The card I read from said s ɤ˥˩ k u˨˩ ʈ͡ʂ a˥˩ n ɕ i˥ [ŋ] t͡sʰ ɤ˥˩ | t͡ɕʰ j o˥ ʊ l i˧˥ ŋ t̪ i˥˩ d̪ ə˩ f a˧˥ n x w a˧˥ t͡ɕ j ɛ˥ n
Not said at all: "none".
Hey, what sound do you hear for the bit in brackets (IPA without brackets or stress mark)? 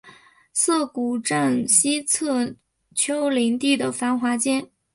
none